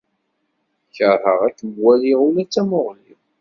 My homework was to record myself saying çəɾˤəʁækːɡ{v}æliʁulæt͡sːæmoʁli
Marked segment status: incorrect: w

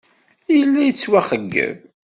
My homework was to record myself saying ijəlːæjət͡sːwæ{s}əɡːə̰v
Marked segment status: incorrect: χ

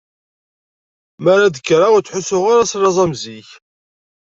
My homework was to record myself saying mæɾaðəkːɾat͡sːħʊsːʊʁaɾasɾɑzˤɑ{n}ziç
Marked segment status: incorrect: m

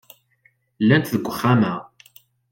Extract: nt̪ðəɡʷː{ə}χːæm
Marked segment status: correct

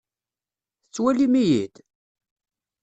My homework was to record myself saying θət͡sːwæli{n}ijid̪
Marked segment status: incorrect: m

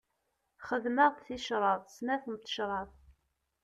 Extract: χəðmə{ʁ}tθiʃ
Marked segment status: correct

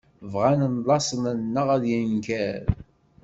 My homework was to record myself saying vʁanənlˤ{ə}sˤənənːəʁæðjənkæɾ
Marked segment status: incorrect: ɑ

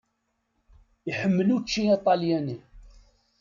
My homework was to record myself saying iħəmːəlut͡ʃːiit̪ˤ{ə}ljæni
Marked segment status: incorrect: ɑ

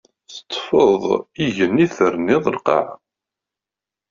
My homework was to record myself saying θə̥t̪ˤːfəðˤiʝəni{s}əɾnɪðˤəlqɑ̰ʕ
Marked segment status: incorrect: θ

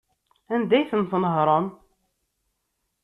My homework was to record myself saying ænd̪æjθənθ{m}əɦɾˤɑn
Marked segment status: incorrect: n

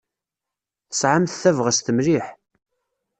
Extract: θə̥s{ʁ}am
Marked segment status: incorrect: ʕ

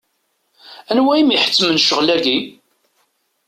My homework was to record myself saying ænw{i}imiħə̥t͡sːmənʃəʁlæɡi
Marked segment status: incorrect: æ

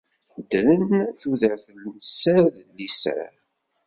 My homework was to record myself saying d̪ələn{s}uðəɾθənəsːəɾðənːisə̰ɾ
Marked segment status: incorrect: θ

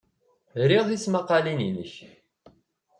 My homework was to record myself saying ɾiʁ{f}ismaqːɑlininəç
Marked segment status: incorrect: θ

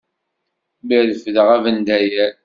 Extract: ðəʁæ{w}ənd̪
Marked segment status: incorrect: v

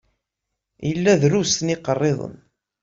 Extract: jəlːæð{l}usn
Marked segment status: incorrect: ɾ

